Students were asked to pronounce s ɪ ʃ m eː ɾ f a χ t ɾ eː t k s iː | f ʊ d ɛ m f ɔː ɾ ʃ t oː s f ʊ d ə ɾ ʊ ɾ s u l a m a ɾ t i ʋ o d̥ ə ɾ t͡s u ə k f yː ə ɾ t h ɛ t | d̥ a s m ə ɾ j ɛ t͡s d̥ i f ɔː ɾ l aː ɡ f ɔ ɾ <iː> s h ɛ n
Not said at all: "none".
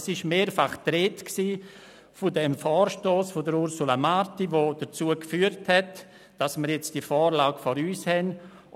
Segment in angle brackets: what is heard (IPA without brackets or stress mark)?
yː